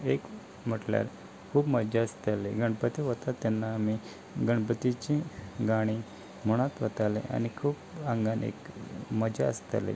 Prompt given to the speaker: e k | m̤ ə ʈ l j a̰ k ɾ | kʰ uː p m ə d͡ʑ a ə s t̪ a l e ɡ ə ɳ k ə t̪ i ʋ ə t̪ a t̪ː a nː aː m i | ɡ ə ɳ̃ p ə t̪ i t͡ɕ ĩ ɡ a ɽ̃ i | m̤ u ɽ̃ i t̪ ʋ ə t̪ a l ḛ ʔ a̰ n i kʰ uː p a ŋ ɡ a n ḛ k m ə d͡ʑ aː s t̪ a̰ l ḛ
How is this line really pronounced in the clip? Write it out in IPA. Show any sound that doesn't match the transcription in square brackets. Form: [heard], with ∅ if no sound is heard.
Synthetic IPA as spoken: e k | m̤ ə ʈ l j a̰ [∅] ɾ | kʰ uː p m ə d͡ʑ a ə s t̪ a l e ɡ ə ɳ [p] ə t̪ i ʋ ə t̪ a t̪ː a nː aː m i | ɡ ə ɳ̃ p ə t̪ i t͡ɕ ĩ ɡ a ɽ̃ i | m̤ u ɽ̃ [a] t̪ ʋ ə t̪ a l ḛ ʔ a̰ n i kʰ uː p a ŋ ɡ a n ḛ k m ə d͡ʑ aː s t̪ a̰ l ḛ

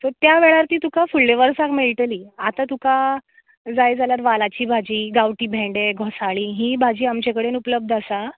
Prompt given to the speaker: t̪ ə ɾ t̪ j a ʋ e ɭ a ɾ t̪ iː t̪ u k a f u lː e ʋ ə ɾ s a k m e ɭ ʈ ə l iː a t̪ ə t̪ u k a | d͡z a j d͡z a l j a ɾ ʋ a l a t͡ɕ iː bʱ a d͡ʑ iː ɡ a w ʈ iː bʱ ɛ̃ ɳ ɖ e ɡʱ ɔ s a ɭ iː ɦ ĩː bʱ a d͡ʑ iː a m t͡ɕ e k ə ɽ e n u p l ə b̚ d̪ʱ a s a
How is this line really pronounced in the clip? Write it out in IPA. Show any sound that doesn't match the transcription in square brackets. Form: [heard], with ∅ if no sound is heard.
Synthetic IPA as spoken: t̪ ə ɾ t̪ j a ʋ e ɭ a ɾ t̪ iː t̪ u k a f u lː e ʋ ə ɾ s a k m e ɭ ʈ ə l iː a t̪ [a] t̪ u k a | d͡z a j d͡z a l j a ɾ ʋ a l a t͡ɕ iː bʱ a d͡ʑ iː ɡ a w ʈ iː bʱ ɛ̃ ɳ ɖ e ɡʱ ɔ s a ɭ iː ɦ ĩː bʱ a d͡ʑ iː a m t͡ɕ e k ə ɽ e n u p l ə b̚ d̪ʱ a s a

